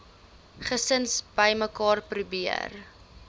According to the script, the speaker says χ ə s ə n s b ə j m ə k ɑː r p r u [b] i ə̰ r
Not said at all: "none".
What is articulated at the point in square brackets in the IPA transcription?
b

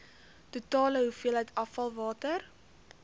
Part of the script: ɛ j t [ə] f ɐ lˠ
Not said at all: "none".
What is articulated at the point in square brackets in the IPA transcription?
ɐ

